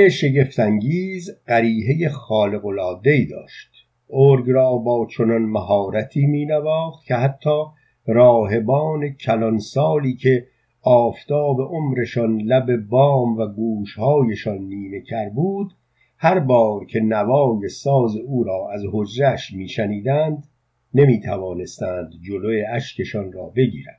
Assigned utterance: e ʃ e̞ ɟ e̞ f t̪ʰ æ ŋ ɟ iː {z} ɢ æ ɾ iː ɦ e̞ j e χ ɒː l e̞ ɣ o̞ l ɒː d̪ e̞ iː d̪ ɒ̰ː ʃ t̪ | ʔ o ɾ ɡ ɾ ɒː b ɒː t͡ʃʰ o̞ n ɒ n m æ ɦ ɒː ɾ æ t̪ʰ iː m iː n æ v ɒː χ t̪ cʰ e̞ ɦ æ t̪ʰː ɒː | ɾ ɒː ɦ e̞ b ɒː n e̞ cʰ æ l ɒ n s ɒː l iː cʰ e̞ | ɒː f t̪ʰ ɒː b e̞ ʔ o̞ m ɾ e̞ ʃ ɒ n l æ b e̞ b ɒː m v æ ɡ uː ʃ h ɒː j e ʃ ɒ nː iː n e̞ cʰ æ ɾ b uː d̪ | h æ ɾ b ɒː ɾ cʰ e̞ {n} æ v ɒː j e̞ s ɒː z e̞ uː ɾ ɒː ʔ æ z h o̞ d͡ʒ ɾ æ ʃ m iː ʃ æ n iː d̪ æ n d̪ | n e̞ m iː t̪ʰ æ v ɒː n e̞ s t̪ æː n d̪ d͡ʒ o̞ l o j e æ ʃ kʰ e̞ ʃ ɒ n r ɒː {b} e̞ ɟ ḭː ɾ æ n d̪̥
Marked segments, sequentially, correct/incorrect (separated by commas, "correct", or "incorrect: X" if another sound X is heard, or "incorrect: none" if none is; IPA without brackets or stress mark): correct, correct, correct